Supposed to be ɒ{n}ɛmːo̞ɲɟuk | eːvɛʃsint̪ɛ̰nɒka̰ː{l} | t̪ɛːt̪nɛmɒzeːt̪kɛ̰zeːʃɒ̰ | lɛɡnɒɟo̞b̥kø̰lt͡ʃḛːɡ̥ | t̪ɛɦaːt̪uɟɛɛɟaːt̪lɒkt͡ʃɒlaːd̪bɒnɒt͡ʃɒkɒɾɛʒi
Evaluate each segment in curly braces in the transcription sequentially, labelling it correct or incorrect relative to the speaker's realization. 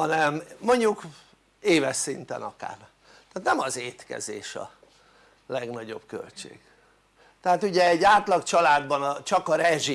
correct, incorrect: r

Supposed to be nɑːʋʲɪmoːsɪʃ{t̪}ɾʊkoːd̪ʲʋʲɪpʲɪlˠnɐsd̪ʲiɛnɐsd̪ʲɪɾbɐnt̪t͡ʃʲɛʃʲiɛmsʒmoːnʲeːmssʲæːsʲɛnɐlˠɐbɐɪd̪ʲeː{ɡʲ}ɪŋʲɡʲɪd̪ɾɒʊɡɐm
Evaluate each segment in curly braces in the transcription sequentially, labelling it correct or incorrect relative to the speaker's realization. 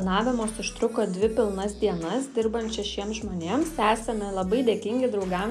correct, incorrect: kʲ

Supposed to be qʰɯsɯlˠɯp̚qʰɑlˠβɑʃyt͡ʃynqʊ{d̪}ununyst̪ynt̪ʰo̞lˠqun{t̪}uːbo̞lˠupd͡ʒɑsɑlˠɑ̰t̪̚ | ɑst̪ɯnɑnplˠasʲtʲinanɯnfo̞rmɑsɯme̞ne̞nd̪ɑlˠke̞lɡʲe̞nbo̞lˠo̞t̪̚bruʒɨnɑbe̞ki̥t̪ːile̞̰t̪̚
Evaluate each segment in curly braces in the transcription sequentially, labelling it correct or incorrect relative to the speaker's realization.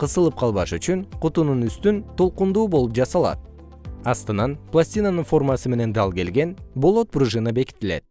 incorrect: t̪, incorrect: d̪

